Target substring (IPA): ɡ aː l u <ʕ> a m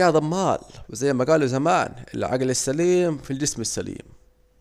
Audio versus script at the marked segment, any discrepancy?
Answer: yes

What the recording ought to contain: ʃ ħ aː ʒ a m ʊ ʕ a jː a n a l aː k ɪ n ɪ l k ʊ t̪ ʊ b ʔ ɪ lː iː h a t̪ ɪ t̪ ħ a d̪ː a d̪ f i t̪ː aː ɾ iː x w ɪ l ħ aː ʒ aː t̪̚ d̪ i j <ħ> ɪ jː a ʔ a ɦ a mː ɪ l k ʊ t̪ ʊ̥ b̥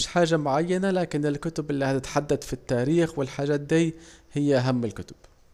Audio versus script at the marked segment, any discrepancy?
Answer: yes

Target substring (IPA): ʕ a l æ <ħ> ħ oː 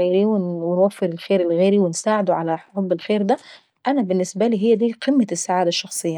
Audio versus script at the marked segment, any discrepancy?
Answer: no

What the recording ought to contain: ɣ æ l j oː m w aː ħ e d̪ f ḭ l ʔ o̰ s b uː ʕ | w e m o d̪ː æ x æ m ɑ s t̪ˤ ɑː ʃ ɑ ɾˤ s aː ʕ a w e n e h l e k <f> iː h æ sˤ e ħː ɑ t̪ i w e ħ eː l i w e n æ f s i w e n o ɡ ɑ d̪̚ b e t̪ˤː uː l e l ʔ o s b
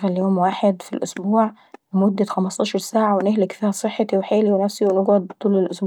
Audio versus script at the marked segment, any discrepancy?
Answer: no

